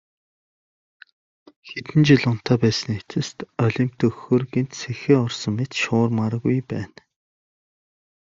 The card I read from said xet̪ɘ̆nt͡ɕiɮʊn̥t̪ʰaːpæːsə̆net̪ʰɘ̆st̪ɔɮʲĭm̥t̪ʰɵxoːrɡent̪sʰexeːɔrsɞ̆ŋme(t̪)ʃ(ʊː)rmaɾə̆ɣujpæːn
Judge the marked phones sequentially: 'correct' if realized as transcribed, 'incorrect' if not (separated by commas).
correct, correct